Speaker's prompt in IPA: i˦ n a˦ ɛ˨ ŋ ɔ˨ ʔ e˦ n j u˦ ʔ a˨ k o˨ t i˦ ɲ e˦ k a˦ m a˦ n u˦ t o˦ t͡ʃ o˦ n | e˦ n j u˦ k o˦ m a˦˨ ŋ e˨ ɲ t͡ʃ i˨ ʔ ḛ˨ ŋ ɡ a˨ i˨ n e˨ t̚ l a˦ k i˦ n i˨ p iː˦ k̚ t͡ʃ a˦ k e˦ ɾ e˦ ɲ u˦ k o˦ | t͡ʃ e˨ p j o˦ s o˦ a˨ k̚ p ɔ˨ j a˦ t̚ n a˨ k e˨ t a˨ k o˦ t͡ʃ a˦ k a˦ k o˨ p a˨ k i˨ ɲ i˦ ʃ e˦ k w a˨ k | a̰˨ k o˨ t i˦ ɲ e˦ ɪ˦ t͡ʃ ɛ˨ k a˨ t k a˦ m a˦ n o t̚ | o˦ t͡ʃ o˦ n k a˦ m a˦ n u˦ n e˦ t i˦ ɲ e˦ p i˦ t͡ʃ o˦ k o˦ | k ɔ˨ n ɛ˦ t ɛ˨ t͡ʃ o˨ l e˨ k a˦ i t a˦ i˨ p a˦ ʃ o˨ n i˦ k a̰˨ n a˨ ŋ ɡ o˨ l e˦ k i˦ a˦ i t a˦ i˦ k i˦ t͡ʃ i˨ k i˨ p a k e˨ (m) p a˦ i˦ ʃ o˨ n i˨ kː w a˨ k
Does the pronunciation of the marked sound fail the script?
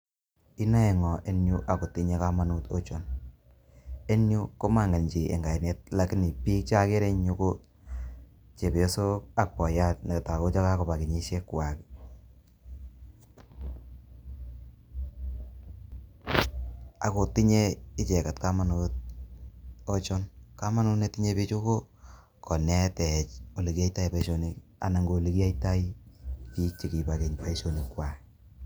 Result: yes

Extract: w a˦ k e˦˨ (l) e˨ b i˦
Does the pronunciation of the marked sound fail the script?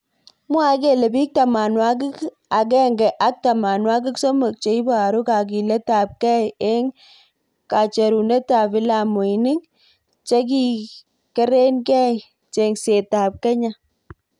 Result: no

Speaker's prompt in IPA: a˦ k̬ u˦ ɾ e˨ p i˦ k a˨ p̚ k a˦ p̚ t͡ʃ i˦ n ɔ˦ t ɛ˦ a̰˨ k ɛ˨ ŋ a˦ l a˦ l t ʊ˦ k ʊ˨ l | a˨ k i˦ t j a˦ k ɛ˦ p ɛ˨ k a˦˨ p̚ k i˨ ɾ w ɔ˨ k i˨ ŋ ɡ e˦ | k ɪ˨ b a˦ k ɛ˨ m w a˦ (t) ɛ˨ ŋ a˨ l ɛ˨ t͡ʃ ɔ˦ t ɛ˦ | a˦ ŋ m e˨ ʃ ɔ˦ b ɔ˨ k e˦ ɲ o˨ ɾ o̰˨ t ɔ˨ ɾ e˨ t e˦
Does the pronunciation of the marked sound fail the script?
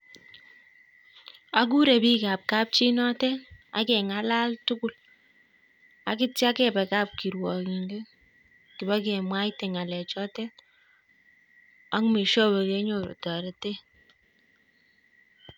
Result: no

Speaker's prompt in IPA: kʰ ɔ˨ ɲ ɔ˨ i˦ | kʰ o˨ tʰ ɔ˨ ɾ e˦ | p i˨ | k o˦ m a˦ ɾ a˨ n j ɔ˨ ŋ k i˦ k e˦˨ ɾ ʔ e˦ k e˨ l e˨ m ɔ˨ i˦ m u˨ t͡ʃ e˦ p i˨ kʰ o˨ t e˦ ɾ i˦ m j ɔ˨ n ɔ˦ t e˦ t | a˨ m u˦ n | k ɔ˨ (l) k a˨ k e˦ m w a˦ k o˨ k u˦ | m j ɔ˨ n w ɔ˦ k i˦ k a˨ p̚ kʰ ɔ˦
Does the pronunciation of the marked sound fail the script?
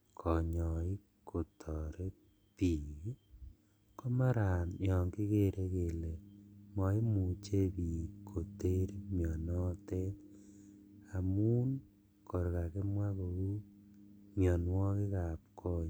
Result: yes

